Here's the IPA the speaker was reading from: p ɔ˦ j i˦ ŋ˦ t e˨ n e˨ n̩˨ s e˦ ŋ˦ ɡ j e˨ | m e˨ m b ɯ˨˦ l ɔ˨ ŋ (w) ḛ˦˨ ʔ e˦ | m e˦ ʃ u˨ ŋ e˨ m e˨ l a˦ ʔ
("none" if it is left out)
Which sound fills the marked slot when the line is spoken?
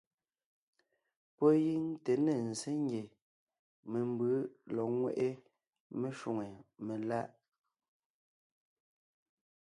w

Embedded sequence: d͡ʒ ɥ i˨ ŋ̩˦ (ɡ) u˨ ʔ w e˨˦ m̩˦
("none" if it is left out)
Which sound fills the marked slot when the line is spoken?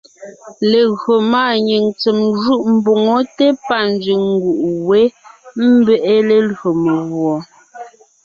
ɡ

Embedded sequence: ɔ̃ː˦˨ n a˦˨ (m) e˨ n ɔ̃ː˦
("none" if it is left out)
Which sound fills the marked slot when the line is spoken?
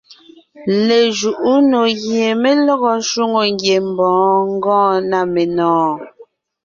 m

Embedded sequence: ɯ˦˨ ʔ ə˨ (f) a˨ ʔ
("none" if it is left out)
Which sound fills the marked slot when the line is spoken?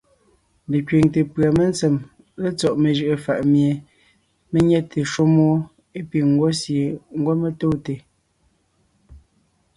f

